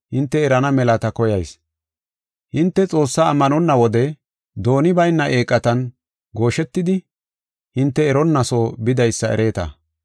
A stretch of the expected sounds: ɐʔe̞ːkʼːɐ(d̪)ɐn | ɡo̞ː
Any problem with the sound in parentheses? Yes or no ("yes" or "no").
yes